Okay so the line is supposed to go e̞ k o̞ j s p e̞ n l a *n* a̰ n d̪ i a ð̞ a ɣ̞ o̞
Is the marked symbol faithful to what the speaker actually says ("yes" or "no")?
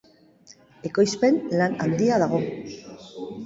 yes